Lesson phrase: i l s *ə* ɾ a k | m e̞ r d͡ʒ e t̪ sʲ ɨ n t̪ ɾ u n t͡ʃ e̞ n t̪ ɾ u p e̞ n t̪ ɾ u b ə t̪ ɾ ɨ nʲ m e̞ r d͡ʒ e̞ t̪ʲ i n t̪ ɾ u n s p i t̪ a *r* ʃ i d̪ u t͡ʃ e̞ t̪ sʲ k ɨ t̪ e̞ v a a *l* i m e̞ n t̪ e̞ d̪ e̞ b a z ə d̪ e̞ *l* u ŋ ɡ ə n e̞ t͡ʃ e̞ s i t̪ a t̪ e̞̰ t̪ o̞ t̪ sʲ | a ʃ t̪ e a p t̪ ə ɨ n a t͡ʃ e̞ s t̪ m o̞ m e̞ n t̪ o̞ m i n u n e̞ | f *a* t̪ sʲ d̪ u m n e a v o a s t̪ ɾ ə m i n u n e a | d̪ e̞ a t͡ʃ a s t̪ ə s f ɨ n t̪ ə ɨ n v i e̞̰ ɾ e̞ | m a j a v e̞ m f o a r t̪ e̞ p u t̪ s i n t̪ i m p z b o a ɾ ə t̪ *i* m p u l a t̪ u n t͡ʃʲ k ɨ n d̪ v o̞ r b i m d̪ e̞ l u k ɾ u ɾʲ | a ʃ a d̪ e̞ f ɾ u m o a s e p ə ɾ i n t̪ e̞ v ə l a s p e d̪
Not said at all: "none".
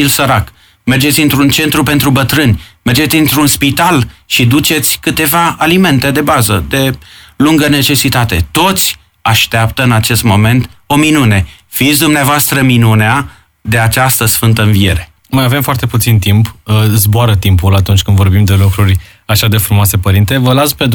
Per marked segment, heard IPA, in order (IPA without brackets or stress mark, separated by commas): ə, l, l, l, i, i